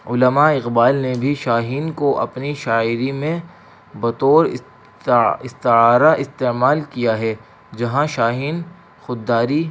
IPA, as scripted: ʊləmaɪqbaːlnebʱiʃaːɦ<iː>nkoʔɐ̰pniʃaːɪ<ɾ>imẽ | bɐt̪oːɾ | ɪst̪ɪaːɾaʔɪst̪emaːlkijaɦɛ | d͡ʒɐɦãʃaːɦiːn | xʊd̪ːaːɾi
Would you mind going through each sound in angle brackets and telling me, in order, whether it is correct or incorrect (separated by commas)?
correct, correct